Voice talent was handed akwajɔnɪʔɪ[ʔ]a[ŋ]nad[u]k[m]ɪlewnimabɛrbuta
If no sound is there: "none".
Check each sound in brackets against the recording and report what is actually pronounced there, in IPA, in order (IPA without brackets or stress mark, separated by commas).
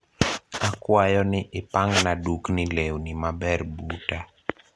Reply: p, ŋ, u, n